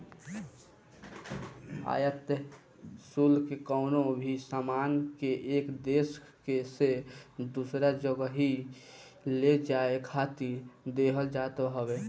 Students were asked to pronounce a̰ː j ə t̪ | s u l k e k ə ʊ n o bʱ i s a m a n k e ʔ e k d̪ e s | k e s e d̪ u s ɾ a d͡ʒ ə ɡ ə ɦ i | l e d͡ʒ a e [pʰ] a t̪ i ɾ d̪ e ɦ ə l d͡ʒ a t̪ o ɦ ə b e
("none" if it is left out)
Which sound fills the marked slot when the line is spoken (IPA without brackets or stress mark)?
kʰ